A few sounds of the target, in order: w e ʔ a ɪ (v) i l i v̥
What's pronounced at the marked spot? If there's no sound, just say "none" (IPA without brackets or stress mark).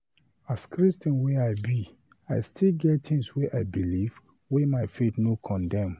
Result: b